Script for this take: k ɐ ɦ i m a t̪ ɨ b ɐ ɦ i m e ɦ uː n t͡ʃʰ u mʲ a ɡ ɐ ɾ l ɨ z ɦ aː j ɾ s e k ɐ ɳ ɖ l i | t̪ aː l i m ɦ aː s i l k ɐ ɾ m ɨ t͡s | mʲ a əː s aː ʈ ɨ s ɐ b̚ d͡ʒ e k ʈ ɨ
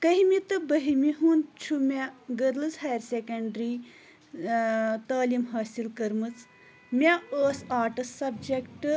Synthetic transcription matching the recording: k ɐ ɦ i m i t̪ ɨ b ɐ ɦ i m i ɦ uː n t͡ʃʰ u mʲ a ɡ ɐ ɾ l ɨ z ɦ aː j ɾ s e k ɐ ɳ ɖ ɾ i | t̪ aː l i m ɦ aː s i l k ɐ ɾ m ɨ t͡s | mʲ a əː s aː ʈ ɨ s ɐ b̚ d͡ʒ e k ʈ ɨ